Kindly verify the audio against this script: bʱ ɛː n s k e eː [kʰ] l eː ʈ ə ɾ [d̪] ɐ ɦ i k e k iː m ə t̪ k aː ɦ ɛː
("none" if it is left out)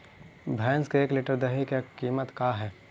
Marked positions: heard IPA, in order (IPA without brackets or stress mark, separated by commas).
k, d̪